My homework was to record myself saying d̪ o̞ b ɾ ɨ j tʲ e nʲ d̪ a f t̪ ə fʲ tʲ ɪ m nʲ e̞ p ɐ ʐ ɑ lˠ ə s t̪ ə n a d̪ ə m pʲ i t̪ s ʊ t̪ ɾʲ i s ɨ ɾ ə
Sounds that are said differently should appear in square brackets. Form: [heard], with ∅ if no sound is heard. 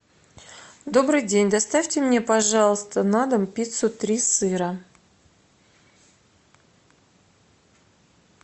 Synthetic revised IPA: d̪ o̞ b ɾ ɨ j [dʲ] e nʲ d̪ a [s] t̪ [a] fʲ tʲ ɪ m nʲ e̞ p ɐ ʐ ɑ lˠ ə s t̪ ə n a d̪ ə m pʲ i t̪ s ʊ t̪ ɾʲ i s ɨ ɾ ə

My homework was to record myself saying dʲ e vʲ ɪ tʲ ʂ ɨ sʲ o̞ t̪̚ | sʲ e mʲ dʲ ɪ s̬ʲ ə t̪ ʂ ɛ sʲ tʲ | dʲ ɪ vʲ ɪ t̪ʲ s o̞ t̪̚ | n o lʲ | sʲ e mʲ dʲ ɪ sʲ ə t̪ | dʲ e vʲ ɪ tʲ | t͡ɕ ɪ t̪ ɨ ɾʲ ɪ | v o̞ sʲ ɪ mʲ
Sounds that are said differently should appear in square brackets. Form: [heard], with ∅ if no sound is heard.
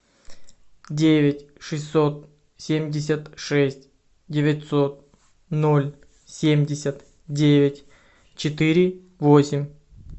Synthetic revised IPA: dʲ e vʲ ɪ tʲ ʂ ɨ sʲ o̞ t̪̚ | sʲ e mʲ dʲ ɪ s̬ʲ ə t̪ ʂ ɛ sʲ tʲ | dʲ ɪ vʲ ɪ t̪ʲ s o̞ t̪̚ | n o lʲ | sʲ e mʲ dʲ ɪ sʲ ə t̪ | dʲ e vʲ ɪ tʲ | t͡ɕ ɪ t̪ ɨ ɾʲ ɪ | v o̞ sʲ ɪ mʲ

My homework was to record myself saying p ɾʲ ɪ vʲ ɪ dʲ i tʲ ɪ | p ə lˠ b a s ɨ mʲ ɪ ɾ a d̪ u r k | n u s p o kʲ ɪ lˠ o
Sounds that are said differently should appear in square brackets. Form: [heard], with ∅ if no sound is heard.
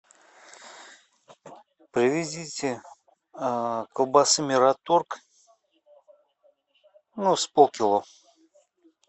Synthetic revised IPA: p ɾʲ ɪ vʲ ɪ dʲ i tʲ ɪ | [k] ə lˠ b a s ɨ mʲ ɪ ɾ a [t̪] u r k | n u s p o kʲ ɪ lˠ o

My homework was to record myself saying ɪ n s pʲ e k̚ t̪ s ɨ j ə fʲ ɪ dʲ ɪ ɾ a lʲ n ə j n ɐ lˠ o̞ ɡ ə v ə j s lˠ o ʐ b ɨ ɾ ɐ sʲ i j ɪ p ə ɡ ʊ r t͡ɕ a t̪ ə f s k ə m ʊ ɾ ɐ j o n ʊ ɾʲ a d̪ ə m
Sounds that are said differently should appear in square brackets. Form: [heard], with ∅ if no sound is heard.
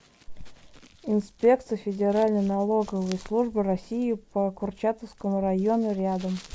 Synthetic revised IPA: ɪ n s pʲ e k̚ t̪ s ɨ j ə fʲ ɪ dʲ ɪ ɾ a lʲ n ə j n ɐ lˠ o̞ ɡ ə v ə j s lˠ [u] ʐ b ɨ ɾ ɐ sʲ i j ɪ p ə [k] ʊ r t͡ɕ a t̪ ə f s k ə m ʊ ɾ ɐ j o n ʊ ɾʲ a d̪ ə m

